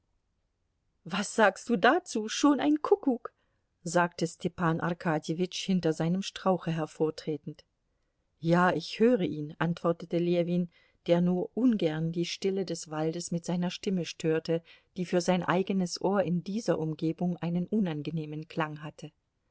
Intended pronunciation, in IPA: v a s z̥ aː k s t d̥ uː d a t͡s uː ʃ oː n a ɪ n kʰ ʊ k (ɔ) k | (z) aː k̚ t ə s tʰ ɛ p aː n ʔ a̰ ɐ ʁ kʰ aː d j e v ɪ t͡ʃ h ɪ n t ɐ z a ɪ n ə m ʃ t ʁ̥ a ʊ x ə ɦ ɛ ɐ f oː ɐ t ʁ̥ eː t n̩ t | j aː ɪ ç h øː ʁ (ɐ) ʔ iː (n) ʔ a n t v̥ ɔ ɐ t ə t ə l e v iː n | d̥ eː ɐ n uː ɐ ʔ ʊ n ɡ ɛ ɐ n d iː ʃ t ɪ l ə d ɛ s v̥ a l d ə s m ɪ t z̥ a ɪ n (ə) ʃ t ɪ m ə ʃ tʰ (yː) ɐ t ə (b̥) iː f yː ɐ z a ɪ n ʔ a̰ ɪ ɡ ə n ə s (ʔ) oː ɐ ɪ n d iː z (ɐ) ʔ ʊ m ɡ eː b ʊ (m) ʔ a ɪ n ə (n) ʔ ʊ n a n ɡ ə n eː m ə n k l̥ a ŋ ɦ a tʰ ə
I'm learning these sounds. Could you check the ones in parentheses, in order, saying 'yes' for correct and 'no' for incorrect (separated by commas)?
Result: no, yes, no, yes, no, no, no, yes, yes, no, yes